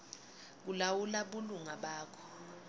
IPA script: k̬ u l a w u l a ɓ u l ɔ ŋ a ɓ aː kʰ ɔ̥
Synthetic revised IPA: k̬ u l a w u l a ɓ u l u ŋ a ɓ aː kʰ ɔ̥